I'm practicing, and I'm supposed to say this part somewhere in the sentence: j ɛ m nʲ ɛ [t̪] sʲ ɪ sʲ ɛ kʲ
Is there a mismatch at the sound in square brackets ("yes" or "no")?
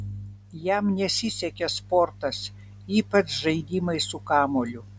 yes